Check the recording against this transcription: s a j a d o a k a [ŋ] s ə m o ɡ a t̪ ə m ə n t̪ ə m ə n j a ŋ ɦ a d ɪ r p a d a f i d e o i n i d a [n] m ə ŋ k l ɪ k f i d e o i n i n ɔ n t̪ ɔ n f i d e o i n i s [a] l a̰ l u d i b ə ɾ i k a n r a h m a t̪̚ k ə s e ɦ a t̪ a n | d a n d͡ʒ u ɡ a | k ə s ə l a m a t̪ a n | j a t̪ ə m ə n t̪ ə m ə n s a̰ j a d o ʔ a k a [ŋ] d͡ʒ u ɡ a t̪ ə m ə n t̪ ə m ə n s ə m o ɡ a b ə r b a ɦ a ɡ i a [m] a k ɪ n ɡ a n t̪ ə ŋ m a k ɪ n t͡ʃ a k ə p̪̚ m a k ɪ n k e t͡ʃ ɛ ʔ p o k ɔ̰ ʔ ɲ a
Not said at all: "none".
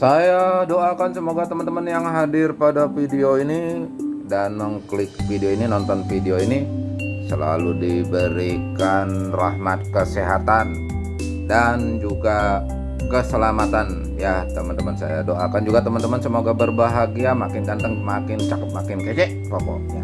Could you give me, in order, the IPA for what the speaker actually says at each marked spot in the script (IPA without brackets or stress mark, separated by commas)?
n, n, ə, n, m